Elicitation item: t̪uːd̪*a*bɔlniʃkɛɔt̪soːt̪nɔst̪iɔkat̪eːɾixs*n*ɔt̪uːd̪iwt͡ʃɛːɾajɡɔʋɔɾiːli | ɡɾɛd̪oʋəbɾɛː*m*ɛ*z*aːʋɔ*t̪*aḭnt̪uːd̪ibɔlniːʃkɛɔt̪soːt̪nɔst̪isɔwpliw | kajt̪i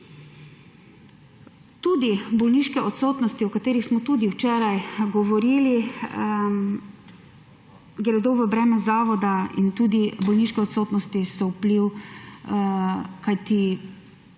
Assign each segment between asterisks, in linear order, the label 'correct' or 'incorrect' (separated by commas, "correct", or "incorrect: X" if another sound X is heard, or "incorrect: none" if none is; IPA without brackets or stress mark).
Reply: incorrect: i, incorrect: m, correct, correct, incorrect: d̪